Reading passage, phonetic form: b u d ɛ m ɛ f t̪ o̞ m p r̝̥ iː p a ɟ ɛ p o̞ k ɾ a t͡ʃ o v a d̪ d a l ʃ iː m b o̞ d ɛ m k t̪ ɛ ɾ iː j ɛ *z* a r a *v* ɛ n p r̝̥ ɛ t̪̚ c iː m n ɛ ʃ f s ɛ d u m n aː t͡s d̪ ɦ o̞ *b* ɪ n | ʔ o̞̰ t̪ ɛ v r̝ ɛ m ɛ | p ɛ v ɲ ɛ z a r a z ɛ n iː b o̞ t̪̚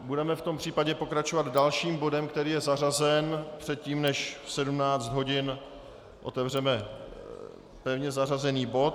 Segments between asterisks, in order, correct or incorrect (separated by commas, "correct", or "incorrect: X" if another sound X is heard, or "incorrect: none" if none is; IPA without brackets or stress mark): correct, incorrect: z, incorrect: ɟ